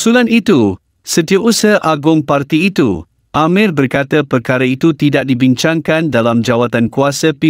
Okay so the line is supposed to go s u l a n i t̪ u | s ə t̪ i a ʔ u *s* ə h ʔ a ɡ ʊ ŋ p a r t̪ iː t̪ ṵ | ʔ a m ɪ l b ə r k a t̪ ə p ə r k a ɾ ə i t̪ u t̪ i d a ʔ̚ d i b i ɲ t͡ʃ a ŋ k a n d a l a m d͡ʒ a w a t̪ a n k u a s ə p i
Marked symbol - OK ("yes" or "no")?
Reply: yes